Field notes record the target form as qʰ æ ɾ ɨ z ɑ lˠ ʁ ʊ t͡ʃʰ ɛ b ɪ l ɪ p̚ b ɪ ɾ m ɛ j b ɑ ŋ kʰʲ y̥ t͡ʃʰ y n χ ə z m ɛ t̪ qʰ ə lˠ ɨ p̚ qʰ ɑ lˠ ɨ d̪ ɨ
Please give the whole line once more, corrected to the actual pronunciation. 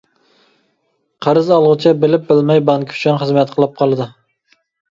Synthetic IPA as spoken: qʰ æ ɾ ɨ z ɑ lˠ ʁ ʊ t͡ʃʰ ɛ b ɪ l ɪ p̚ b ɪ l m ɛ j b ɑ ŋ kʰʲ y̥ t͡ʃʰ y n χ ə z m ɛ t̪ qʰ ə lˠ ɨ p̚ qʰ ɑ lˠ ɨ d̪ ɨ